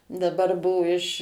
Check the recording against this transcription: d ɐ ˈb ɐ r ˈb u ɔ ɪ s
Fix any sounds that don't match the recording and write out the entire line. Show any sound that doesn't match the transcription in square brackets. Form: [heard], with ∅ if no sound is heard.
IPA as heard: d ɐ ˈb ɐ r ˈb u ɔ ɪ [ʃ]